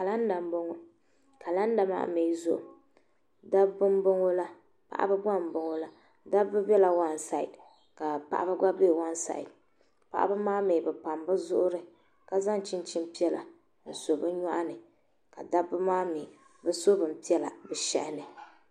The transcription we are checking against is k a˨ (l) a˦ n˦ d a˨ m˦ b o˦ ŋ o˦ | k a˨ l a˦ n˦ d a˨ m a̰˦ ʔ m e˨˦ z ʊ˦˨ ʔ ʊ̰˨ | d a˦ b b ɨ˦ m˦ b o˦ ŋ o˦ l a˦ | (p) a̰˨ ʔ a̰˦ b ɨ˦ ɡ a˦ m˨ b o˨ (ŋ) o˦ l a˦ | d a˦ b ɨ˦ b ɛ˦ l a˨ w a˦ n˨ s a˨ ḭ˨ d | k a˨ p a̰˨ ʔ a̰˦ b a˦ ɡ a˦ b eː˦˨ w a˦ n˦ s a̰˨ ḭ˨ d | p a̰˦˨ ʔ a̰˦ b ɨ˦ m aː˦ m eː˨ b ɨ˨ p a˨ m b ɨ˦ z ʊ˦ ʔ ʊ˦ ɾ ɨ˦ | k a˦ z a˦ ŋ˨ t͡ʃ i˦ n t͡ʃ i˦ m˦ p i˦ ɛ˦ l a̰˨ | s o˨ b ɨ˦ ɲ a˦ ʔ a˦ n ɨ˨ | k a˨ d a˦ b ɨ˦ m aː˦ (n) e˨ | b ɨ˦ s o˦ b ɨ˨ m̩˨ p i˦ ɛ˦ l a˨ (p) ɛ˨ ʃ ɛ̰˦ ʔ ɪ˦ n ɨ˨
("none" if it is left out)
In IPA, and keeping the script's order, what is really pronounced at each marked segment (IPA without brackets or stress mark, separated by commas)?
l, p, ŋ, m, b